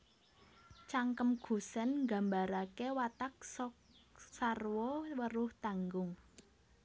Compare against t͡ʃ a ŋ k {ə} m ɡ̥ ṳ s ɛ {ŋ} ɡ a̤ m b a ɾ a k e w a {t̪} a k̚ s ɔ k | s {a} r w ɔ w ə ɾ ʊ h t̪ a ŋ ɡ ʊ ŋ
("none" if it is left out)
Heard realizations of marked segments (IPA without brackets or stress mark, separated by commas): ə, n, t̪, a